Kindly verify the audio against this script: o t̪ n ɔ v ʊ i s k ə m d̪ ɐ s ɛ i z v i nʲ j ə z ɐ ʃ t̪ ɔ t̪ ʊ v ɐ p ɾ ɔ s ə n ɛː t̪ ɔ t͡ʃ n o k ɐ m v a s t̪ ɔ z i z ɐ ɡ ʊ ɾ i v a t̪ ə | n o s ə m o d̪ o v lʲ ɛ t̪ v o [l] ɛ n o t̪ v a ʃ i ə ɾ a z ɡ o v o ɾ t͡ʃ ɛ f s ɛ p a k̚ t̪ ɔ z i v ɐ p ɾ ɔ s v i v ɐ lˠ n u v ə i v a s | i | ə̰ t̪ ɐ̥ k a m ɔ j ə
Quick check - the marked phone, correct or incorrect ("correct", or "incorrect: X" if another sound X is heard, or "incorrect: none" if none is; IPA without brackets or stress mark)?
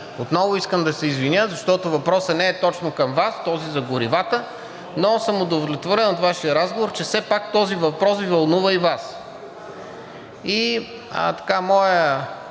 incorrect: ɾ